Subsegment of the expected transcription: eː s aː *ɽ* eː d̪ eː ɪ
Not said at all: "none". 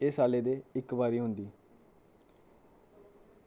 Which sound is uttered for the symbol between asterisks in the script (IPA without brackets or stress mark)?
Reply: l